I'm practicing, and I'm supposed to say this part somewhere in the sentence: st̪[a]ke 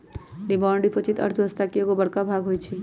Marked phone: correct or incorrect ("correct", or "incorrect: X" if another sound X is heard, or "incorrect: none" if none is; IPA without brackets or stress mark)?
correct